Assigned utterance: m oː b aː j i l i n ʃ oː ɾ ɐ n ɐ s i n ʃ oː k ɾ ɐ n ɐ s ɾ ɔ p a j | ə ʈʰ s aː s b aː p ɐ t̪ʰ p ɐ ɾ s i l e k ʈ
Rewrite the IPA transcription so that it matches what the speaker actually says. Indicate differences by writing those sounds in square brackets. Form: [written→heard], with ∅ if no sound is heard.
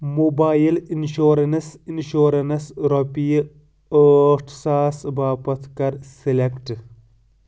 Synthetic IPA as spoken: m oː b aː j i l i n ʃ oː ɾ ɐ n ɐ s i n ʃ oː [k→∅] ɾ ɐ n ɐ s ɾ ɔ p [a→i] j | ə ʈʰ s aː s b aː p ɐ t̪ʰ [p→k] ɐ ɾ s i l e k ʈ